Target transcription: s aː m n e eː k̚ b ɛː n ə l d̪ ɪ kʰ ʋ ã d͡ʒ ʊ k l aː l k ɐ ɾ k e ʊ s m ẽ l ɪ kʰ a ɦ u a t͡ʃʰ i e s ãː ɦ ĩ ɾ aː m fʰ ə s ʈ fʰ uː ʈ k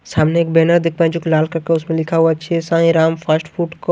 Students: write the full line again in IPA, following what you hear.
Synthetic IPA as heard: s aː m n e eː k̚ b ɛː n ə ɾ d̪ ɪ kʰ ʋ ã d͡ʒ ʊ k l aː l k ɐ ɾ k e ʊ s m ẽ l ɪ kʰ a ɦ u a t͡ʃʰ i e s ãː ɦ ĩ ɾ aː m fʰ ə s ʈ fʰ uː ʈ k